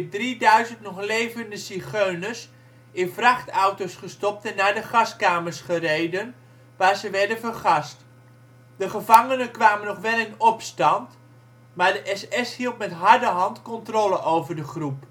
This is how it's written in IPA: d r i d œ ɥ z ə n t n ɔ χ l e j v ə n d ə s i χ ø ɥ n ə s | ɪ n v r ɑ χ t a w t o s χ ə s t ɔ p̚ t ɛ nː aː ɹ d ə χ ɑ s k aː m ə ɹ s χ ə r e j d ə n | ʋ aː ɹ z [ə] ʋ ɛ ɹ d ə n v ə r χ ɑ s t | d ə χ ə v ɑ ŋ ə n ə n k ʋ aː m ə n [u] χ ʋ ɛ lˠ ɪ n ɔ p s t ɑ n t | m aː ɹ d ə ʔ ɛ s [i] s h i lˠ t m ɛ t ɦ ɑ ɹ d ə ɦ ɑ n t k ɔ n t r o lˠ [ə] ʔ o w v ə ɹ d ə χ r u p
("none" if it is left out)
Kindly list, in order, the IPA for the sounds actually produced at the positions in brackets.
ə, ɔ, ɛ, ə

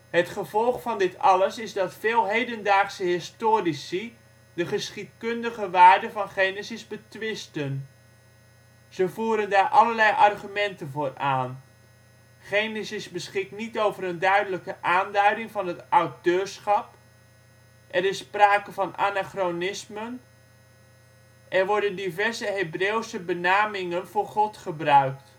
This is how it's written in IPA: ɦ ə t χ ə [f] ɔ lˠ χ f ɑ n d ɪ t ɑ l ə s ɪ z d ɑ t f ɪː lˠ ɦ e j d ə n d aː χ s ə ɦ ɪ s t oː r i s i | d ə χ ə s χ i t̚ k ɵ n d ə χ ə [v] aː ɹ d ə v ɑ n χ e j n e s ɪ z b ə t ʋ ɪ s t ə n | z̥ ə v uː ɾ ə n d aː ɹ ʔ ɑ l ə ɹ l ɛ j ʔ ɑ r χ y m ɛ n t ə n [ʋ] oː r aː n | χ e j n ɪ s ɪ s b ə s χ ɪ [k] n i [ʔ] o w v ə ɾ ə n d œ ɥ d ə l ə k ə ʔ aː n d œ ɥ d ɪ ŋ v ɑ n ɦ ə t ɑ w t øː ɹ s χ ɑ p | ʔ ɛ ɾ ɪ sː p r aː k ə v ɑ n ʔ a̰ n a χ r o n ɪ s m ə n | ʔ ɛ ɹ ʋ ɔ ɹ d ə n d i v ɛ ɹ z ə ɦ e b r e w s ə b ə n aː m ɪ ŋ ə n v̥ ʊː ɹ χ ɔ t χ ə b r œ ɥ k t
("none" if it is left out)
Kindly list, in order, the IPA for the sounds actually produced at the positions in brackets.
v, ʋ, v, k, t

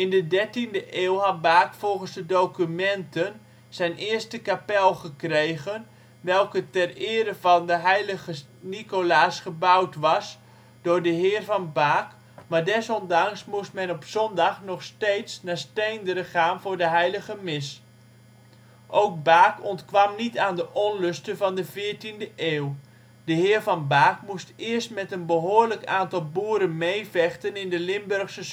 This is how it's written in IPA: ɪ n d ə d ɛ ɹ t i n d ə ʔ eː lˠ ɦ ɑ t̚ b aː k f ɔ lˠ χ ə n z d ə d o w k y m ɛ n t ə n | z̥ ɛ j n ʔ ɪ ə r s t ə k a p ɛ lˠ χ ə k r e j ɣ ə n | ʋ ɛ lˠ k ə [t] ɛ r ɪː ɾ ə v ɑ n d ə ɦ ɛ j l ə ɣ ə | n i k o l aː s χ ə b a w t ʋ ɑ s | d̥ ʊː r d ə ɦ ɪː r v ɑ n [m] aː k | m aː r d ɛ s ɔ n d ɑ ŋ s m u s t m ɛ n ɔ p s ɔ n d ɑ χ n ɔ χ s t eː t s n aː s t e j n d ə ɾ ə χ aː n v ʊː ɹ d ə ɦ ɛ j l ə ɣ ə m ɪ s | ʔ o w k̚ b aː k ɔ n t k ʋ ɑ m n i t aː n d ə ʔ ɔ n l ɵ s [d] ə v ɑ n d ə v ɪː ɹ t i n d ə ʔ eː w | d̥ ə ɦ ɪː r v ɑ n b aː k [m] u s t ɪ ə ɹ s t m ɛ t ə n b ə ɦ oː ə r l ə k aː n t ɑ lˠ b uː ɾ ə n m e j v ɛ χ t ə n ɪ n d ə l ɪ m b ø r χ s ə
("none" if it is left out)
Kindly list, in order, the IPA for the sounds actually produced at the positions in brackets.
t, b, t, m

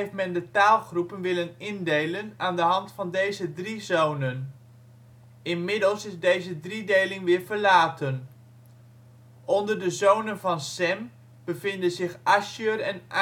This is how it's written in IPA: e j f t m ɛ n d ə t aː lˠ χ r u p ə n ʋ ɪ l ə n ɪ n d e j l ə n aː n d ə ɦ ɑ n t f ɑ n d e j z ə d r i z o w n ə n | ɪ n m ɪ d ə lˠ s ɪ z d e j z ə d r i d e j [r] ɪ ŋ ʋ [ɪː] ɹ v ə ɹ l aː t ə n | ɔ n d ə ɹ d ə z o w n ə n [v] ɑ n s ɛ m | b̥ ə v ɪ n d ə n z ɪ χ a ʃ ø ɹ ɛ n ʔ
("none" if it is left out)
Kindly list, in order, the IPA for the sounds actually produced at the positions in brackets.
l, ɪː, v

